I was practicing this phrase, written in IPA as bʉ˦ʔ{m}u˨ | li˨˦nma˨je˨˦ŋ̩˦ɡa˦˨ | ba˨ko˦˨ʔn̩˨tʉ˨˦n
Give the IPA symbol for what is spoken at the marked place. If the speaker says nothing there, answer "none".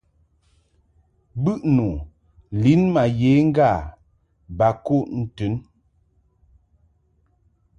n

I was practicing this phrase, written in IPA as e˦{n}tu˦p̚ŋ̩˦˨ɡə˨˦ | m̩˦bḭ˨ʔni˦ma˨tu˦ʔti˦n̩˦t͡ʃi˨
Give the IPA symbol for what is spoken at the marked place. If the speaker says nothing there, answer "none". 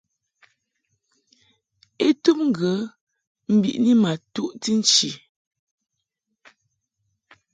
none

